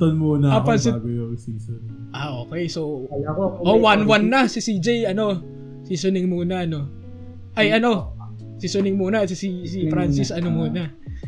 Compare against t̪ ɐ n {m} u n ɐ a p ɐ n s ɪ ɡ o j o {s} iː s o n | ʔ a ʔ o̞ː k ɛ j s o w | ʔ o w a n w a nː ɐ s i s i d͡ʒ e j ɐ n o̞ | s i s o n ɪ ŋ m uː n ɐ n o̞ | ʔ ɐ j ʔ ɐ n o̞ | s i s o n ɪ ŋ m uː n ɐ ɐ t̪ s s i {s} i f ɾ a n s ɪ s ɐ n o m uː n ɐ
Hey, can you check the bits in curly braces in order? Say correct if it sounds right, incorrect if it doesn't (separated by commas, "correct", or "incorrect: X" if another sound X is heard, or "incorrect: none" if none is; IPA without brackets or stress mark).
correct, correct, correct